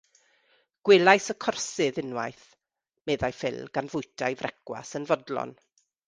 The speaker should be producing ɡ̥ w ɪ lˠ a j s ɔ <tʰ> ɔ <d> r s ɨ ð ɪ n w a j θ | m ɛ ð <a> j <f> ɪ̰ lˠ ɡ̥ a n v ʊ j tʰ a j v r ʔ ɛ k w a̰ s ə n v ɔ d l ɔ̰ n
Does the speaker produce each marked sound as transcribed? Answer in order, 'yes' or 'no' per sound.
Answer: no, no, yes, yes

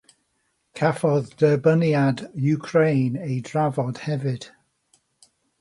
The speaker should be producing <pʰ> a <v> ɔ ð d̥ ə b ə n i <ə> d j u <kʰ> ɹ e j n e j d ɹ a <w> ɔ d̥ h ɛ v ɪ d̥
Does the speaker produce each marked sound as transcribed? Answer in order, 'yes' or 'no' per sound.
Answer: no, no, no, yes, no

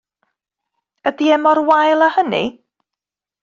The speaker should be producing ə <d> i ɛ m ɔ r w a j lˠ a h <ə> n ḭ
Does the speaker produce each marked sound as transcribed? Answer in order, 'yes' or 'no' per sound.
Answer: yes, yes

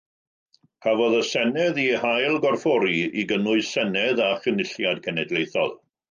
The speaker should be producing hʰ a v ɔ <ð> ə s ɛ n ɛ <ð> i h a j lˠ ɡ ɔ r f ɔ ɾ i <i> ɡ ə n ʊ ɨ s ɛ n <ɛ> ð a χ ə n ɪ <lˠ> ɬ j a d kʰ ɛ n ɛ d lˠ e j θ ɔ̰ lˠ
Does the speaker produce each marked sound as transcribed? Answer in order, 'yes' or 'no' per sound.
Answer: yes, yes, yes, yes, no

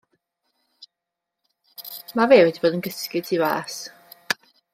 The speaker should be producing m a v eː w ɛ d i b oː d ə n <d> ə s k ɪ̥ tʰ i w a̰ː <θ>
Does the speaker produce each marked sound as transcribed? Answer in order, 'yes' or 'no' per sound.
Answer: no, no

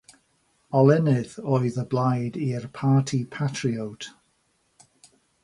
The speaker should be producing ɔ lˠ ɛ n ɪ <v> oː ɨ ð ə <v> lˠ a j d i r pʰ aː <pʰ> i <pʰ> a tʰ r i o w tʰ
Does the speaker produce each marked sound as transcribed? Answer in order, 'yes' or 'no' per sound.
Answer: no, no, no, yes

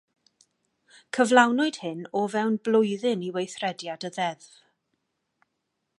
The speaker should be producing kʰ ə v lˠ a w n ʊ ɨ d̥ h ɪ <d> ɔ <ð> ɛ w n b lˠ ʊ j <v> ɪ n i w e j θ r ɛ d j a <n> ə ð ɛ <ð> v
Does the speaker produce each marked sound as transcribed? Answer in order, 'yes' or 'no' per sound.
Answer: no, no, no, no, yes

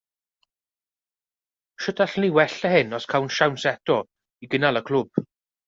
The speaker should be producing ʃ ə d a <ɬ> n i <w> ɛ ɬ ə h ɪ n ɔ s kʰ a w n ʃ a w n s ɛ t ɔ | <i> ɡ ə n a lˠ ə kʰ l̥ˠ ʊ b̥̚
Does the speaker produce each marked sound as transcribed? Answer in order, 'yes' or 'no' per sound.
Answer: yes, yes, yes

